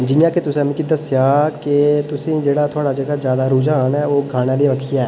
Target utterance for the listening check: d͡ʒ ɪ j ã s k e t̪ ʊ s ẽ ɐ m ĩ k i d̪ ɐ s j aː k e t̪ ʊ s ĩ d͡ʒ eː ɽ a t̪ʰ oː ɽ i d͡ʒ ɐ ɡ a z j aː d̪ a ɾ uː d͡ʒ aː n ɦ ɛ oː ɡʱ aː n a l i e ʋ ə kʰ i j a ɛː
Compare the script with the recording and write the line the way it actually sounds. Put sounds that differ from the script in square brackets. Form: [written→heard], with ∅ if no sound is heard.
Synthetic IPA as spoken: d͡ʒ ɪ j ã [s→∅] k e t̪ ʊ s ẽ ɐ m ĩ k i d̪ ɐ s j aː k e t̪ ʊ s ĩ d͡ʒ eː ɽ a t̪ʰ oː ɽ [i→a] d͡ʒ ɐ ɡ a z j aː d̪ a ɾ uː d͡ʒ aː n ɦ ɛ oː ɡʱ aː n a l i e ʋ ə kʰ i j a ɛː

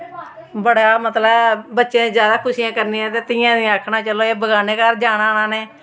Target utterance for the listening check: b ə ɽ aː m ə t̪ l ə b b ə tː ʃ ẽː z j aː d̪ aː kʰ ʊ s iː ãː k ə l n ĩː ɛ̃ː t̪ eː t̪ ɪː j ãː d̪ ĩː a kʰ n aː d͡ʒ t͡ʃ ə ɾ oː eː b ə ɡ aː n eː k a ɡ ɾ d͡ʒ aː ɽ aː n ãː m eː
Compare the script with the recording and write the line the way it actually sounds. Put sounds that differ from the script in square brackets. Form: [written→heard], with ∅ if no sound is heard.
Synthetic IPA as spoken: b ə ɽ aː m ə t̪ l ə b b ə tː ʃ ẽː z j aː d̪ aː kʰ ʊ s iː ãː k ə [l→ɾ] n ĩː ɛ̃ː t̪ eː t̪ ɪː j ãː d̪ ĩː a kʰ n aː [d͡ʒ→∅] t͡ʃ ə [ɾ→l] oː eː b ə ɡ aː n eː k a [ɡ→∅] ɾ d͡ʒ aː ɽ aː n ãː [m→n] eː

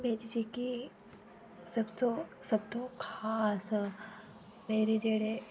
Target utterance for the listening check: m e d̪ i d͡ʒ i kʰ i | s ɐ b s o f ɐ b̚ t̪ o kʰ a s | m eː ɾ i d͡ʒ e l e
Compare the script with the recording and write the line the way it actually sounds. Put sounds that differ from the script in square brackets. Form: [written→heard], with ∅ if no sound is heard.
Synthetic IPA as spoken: m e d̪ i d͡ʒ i [kʰ→k] i | s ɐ b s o [f→s] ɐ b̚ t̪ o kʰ a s | m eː ɾ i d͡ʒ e [l→ɽ] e

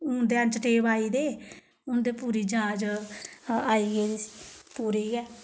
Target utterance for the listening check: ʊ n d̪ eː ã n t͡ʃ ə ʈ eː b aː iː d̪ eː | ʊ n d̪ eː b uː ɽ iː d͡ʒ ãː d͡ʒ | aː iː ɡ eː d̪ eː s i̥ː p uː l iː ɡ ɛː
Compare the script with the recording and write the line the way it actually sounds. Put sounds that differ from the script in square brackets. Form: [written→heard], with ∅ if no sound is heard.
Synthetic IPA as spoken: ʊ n d̪ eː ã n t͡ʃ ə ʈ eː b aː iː d̪ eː | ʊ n d̪ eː [b→p] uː [ɽ→ɾ] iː d͡ʒ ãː d͡ʒ | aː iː ɡ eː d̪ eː s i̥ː p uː [l→ɾ] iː ɡ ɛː

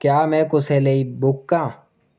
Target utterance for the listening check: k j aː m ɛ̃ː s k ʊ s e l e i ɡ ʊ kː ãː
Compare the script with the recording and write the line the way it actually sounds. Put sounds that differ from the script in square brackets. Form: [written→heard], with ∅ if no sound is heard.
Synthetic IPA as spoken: k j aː m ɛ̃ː [s→∅] k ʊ s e l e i [ɡ→b] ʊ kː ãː

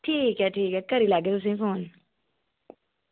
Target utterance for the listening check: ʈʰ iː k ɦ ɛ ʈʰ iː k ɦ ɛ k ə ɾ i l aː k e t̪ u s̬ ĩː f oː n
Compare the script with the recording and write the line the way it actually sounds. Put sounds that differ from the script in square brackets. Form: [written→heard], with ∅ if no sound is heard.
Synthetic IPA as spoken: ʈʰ iː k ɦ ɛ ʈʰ iː k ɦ ɛ k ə ɾ i l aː [k→ɡ] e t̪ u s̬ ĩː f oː n

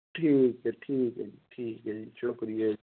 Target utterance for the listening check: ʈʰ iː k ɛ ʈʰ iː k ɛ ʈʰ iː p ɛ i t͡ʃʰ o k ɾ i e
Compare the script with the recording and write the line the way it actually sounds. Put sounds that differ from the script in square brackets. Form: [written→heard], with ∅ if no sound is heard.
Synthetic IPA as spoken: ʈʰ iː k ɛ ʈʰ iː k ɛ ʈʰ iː [p→k] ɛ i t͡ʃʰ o k ɾ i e

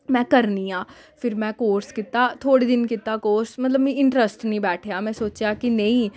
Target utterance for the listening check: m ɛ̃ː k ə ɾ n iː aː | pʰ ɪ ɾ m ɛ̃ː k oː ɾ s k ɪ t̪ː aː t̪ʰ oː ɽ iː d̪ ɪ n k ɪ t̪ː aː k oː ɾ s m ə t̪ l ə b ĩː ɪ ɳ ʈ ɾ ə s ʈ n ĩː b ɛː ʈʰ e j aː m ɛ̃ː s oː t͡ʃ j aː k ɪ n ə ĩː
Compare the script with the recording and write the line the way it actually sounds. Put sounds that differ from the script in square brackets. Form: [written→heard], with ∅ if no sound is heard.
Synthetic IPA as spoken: m ɛ̃ː k ə ɾ n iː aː | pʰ ɪ ɾ m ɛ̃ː k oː ɾ s k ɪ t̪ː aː t̪ʰ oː ɽ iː d̪ ɪ n k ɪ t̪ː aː k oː ɾ s m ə t̪ l ə b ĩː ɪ ɳ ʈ ɾ ə s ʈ n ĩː b ɛː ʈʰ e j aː m ɛ̃ː s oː t͡ʃ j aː k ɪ n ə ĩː

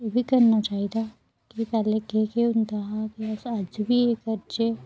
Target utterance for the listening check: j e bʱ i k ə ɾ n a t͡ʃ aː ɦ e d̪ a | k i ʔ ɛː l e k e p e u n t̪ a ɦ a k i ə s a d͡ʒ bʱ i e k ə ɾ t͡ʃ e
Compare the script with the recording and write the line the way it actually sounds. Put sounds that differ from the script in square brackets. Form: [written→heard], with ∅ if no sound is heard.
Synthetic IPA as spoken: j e bʱ i k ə ɾ n a t͡ʃ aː ɦ [e→i] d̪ a | k i [ʔ→p] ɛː l e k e [p→k] e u n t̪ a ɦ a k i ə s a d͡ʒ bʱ i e k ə ɾ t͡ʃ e

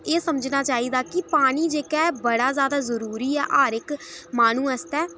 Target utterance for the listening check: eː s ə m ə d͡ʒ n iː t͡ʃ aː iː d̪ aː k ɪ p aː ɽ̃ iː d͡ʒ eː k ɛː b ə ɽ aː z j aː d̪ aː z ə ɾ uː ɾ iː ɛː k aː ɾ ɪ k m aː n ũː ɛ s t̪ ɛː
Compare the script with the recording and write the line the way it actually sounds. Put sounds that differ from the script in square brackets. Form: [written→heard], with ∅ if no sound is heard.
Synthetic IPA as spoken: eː s ə m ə d͡ʒ n [iː→aː] t͡ʃ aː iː d̪ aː k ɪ p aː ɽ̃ iː d͡ʒ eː k ɛː b ə ɽ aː z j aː d̪ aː z ə ɾ uː ɾ iː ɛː [k→ʔ] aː ɾ ɪ k m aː n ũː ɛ s t̪ ɛː

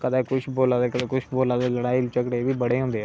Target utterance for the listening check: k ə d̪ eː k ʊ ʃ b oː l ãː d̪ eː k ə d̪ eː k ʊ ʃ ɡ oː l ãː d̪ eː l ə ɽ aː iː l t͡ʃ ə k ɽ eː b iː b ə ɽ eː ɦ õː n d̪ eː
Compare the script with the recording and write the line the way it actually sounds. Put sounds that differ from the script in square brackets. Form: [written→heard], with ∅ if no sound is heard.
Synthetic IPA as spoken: k ə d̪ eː k ʊ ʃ b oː l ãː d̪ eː k ə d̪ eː k ʊ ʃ [ɡ→b] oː l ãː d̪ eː l ə ɽ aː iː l t͡ʃ ə k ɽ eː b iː b ə ɽ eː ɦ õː n d̪ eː

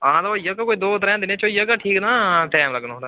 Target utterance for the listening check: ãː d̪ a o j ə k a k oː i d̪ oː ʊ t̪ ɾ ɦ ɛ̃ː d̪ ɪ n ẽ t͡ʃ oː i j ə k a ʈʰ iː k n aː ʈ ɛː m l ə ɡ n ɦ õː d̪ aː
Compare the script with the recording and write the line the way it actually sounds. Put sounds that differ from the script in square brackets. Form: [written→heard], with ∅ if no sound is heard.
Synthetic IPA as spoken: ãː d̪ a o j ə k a k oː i d̪ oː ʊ t̪ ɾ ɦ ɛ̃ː d̪ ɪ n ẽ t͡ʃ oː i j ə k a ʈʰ iː k n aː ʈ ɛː m l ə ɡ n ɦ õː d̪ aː

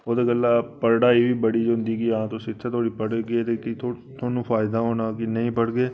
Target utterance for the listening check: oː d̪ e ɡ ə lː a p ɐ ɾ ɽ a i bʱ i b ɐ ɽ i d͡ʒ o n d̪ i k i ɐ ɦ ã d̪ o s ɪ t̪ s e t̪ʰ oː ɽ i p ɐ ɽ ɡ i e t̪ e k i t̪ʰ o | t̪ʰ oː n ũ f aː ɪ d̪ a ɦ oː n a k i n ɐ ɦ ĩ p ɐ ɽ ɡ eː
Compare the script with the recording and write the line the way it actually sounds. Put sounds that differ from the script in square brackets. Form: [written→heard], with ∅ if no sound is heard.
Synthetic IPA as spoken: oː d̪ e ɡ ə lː a p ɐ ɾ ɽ a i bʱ i b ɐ ɽ i d͡ʒ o n d̪ i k i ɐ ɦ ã [d̪→t̪] o s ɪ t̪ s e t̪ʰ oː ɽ i p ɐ ɽ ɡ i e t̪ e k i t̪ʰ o | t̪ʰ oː n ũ f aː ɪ d̪ a ɦ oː n a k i n ɐ ɦ ĩ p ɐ ɽ ɡ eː

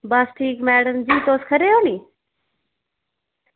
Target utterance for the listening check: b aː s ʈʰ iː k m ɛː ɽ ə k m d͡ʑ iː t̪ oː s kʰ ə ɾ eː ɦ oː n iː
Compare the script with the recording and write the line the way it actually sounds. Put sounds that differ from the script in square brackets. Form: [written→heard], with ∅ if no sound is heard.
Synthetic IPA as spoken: b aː s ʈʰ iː k m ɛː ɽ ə [k→∅] m d͡ʑ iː t̪ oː s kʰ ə ɾ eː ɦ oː n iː

